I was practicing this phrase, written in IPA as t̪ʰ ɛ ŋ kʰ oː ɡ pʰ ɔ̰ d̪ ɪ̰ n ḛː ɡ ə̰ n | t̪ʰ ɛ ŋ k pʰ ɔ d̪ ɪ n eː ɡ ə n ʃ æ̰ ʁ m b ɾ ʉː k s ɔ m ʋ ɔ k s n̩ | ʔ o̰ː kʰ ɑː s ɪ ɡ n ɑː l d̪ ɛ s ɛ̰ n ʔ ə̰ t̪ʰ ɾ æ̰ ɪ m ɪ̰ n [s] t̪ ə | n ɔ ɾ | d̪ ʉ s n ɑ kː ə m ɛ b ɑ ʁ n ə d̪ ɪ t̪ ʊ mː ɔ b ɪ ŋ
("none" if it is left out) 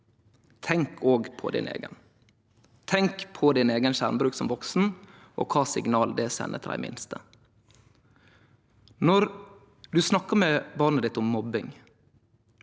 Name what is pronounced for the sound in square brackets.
s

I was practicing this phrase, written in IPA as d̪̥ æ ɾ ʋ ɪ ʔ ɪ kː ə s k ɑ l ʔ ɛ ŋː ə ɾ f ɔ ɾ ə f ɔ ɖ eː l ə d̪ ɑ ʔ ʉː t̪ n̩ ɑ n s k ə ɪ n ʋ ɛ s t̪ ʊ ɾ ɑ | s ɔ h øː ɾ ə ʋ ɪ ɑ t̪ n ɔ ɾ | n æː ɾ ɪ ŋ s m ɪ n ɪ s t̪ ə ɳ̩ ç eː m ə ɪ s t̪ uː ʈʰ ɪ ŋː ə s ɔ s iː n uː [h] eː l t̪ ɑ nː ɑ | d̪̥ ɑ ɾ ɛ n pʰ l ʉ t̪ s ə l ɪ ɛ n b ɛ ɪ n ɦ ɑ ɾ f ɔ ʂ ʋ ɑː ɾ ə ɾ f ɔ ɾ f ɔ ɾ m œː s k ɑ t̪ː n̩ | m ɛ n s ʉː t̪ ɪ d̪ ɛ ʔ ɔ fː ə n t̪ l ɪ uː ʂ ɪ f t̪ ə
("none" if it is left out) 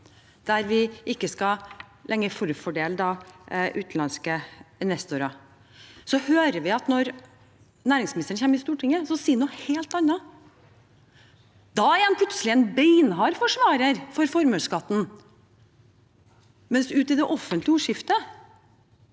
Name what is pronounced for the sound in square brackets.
h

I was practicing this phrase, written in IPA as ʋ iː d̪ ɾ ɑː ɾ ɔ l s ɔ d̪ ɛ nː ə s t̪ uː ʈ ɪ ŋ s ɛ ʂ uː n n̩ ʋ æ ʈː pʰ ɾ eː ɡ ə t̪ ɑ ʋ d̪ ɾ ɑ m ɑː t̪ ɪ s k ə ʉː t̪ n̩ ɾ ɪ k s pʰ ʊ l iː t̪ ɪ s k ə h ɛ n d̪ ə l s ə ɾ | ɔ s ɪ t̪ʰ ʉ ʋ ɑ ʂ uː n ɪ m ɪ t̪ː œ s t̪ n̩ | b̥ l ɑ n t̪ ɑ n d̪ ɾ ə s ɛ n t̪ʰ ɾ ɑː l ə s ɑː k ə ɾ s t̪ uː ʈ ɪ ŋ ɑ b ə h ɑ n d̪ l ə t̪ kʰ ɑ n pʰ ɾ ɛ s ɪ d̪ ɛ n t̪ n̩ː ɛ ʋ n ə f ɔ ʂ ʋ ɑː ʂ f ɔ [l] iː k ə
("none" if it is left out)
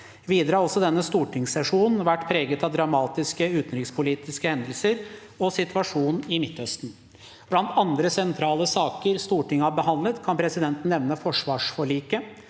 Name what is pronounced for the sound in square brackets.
ɭ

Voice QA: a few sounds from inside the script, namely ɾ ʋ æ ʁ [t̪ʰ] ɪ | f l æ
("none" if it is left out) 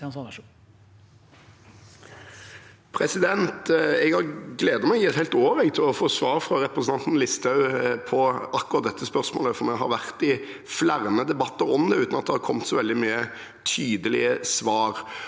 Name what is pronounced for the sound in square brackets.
t̪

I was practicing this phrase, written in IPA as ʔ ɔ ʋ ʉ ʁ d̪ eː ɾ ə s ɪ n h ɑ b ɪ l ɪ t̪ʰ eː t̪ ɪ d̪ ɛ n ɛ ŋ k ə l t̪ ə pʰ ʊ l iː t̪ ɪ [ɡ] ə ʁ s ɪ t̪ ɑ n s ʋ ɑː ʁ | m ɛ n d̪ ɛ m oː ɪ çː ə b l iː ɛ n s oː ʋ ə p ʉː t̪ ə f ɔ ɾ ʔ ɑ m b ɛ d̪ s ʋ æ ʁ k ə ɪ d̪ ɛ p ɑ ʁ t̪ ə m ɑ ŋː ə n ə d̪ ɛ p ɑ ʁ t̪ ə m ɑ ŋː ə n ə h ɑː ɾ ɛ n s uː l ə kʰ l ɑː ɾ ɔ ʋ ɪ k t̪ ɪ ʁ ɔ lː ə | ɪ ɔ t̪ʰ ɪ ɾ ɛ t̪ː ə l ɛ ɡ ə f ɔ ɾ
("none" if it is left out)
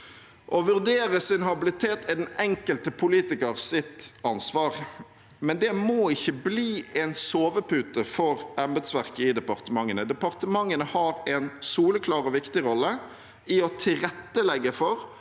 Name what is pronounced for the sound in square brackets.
k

